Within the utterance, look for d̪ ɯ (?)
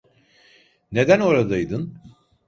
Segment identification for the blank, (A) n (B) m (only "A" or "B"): A